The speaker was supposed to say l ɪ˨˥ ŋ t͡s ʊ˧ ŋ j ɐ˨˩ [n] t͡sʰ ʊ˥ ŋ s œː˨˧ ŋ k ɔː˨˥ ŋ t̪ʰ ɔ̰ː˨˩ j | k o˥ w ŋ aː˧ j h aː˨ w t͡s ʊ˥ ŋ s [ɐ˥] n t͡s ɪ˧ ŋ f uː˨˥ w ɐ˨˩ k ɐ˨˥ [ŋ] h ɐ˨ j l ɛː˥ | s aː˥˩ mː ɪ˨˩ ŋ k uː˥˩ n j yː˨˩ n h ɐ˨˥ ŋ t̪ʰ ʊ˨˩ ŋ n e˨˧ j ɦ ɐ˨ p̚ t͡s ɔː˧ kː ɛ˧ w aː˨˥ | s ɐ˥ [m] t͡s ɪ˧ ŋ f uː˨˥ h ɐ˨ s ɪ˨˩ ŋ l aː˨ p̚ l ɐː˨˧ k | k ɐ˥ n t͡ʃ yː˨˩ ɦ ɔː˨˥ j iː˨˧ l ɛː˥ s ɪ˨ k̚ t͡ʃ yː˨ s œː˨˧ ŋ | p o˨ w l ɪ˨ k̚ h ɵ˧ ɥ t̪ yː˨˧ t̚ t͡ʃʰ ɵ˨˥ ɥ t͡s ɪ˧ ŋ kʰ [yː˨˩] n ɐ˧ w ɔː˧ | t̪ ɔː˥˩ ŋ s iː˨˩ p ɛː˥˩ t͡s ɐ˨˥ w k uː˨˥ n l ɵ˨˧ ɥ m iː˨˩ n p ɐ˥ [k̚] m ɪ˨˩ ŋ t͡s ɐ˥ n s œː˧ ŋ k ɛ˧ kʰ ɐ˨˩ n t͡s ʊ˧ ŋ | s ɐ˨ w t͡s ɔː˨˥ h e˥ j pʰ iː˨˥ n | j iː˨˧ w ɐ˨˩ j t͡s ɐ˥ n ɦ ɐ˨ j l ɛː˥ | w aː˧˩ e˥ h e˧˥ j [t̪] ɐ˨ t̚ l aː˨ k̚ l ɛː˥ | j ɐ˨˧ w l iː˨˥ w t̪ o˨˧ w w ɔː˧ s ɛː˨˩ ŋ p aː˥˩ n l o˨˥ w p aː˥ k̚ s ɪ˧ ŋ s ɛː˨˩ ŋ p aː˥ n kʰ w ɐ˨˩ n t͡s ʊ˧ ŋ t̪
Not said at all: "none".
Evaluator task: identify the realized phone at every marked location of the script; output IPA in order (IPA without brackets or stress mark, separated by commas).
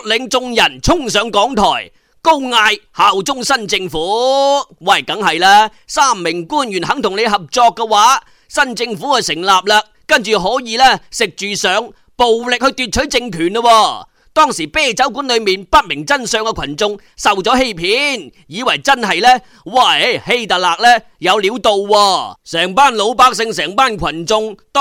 n, ɐ˥, ŋ, n, yː˨˩, t̚, t̪